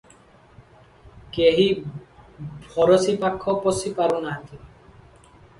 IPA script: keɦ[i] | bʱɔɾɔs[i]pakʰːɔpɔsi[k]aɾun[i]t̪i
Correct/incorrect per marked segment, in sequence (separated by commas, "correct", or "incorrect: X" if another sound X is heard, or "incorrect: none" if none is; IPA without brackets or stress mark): correct, correct, incorrect: p, incorrect: a